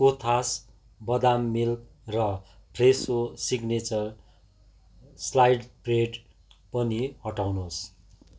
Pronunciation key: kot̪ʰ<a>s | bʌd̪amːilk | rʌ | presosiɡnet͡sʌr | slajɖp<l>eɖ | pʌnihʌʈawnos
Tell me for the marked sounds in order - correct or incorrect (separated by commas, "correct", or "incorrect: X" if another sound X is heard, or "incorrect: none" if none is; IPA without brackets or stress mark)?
correct, incorrect: r